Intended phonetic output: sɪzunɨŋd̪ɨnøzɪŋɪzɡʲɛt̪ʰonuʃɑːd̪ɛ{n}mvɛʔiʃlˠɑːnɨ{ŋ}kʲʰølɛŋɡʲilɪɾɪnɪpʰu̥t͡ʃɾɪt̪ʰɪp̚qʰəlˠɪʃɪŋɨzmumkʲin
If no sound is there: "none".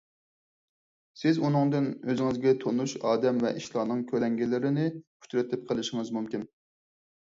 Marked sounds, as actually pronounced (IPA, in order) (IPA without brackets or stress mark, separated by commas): none, ŋ